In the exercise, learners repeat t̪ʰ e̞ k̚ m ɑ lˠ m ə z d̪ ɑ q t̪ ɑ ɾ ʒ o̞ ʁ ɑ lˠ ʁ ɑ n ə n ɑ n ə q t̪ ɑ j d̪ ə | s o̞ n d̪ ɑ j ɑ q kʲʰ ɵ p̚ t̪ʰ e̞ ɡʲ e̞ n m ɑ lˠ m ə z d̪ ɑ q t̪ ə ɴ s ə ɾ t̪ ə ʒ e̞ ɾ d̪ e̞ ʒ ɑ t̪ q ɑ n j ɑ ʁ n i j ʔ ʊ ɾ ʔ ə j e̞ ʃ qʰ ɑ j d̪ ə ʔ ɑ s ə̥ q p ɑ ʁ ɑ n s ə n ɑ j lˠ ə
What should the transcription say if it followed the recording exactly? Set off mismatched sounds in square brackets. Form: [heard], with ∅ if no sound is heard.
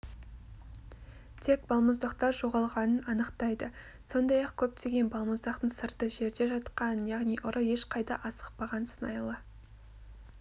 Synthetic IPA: t̪ʰ e̞ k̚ [b] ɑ lˠ m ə z d̪ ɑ q t̪ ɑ ɾ ʒ o̞ ʁ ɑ lˠ ʁ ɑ n ə n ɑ n ə q t̪ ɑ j d̪ ə | s o̞ n d̪ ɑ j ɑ q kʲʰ ɵ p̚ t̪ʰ e̞ ɡʲ e̞ n [b] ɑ lˠ m ə z d̪ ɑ q t̪ ə ɴ s ə ɾ t̪ ə ʒ e̞ ɾ d̪ e̞ ʒ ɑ t̪ q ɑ n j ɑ ʁ n i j ʔ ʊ ɾ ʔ ə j e̞ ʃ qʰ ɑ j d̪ [ɑ] ʔ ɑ s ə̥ q p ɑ ʁ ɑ n s ə n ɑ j lˠ ə